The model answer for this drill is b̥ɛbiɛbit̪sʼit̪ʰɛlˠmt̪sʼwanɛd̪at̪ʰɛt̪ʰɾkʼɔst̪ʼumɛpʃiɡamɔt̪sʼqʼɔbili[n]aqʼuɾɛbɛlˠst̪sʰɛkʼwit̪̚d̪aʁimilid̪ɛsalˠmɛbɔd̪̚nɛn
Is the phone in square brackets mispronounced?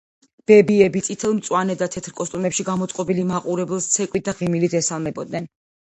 yes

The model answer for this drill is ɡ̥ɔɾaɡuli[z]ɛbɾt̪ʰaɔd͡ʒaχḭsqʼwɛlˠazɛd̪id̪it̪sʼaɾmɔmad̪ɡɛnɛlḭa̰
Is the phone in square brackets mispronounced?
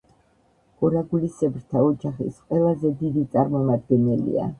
yes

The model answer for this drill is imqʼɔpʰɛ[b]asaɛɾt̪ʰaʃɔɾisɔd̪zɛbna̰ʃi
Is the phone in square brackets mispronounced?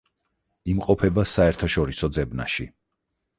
no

